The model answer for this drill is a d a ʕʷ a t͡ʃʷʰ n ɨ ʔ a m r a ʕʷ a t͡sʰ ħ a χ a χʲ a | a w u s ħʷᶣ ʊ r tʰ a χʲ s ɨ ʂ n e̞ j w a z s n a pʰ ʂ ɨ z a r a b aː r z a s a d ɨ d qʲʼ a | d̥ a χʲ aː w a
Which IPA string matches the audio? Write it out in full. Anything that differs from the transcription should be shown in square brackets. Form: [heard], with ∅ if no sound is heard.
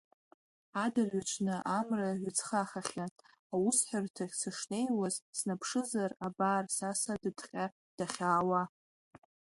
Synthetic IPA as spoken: a d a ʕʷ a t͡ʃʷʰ n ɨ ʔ a m r a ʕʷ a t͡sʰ [χ] a χ a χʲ a | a w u s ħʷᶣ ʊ r tʰ a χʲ s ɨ ʂ n e̞ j w a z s n a pʰ ʂ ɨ z a r a b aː r [s] a s a d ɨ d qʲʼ a | d̥ a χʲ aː w a